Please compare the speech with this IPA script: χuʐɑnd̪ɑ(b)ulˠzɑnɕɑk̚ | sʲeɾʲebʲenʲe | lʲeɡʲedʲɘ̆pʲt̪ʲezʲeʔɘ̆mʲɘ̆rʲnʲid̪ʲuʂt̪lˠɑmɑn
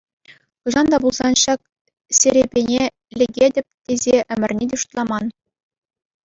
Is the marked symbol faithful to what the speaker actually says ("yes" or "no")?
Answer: yes